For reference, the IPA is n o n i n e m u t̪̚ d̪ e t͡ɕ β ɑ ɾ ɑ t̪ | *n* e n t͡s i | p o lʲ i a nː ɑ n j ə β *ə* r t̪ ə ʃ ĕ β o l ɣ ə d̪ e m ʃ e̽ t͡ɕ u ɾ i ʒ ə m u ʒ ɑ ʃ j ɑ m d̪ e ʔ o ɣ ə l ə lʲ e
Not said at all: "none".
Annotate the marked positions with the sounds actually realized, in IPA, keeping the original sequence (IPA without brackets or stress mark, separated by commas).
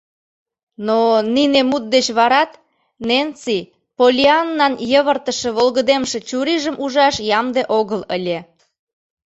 n, ə